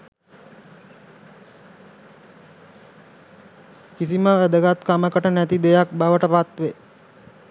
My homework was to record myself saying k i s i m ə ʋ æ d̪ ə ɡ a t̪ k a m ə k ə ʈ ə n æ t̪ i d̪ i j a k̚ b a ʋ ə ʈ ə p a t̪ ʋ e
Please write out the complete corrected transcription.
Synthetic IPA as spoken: k i s i m ə ʋ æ d̪ ə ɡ a t̪ k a m ə k ə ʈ ə n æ t̪ i d̪ e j a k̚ b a ʋ ə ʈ ə p a t̪ ʋ e